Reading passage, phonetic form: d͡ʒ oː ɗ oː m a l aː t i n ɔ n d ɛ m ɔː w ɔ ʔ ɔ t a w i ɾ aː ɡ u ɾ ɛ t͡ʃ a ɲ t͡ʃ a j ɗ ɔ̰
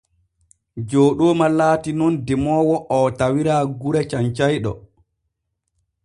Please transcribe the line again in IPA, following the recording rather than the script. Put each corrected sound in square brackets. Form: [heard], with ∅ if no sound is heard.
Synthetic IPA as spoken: d͡ʒ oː ɗ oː m a l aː t i n ɔ n d ɛ m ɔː w ɔ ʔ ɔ t a w i ɾ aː ɡ u ɾ ɛ t͡ʃ a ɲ t͡ʃ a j ɗ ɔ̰